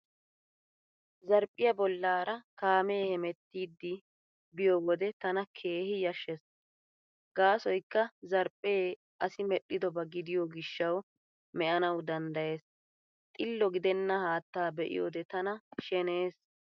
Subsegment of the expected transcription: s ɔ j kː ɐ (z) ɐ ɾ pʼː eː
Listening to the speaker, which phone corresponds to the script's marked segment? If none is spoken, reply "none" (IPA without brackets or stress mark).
z